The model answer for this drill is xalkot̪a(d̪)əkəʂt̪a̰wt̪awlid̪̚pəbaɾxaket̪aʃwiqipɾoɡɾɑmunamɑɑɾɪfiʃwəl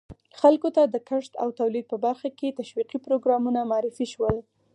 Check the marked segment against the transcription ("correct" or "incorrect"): correct